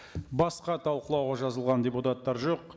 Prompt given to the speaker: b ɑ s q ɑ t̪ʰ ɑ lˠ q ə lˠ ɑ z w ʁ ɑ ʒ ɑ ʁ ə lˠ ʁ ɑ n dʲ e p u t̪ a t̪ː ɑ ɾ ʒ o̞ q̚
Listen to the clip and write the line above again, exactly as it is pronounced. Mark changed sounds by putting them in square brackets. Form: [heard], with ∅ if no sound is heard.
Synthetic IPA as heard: b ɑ s q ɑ t̪ʰ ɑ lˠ q ə lˠ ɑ [∅] w ʁ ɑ ʒ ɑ [z] ə lˠ ʁ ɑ n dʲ e p u t̪ a t̪ː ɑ ɾ ʒ o̞ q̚